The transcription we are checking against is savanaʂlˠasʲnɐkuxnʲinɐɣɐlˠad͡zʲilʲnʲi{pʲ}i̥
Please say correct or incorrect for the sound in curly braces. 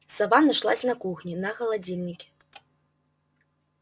incorrect: kʲ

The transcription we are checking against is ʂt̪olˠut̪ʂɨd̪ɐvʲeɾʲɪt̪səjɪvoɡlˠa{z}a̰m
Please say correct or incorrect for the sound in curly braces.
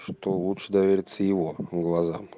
correct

